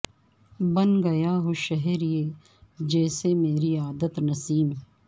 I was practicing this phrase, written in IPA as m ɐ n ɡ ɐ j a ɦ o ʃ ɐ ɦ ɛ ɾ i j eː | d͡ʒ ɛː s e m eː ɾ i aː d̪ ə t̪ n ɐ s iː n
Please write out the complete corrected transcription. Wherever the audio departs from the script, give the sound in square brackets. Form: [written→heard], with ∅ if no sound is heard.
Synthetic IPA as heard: [m→b] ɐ n ɡ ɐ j a ɦ o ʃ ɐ ɦ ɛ ɾ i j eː | d͡ʒ ɛː s e m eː ɾ i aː d̪ ə t̪ n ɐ s iː [n→m]